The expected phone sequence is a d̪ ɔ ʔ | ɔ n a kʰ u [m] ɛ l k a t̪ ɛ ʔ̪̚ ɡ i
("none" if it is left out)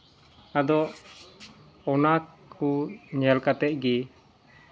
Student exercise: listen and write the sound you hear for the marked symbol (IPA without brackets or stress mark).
ɲ